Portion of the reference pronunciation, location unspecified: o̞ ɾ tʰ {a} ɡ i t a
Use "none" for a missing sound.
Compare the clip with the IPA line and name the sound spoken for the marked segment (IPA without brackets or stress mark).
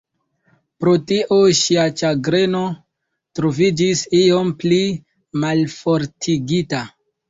i